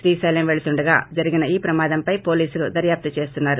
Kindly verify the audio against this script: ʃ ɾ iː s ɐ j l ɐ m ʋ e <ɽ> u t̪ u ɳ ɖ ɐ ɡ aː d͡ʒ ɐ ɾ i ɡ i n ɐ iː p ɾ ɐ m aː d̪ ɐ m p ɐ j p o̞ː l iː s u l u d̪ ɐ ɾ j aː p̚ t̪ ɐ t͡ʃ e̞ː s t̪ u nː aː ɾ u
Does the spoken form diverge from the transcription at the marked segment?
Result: yes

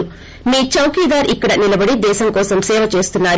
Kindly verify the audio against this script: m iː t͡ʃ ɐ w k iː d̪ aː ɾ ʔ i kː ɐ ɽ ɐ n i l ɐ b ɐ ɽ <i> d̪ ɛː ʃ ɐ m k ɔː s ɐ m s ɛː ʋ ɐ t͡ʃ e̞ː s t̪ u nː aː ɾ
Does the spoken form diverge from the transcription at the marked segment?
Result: no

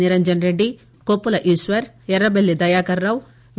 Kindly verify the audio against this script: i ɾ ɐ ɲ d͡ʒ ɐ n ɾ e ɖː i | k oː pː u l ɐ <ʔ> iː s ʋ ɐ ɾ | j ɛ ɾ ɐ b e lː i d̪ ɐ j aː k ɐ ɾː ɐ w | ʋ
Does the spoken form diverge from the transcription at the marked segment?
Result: no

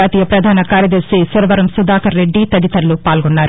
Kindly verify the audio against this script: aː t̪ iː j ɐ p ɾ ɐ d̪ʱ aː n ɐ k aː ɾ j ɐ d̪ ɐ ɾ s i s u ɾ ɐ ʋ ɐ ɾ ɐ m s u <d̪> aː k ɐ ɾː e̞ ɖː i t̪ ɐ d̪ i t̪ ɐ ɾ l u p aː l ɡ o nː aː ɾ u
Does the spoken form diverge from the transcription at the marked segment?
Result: no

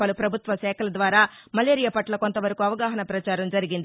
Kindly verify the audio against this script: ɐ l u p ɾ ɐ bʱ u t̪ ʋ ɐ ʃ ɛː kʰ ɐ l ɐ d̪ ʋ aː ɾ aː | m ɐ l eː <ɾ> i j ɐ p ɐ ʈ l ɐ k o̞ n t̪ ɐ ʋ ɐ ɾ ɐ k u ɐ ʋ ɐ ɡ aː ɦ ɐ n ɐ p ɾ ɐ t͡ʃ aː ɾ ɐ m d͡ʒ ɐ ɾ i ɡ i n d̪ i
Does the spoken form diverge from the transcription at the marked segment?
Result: no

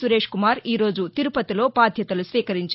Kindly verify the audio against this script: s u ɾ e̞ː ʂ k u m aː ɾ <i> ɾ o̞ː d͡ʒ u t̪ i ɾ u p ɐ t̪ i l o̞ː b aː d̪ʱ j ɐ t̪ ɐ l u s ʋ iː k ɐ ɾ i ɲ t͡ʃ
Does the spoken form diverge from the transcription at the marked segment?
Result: yes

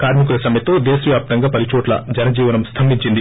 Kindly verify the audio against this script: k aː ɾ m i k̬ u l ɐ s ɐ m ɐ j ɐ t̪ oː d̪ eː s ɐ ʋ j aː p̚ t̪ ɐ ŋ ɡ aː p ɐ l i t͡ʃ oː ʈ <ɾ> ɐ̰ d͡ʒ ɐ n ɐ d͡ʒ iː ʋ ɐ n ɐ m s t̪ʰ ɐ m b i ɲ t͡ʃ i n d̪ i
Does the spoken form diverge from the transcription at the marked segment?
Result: yes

